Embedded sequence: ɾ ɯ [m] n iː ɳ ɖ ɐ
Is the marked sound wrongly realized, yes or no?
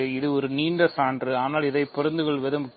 yes